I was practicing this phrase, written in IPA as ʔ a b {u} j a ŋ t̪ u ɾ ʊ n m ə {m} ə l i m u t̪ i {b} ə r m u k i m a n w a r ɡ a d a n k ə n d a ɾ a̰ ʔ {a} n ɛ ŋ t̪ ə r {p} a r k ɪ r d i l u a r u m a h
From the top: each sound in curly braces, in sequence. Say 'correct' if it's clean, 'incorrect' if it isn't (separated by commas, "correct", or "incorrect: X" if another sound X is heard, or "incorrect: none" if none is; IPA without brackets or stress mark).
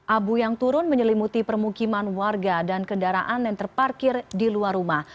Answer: correct, incorrect: ɲ, incorrect: p, correct, correct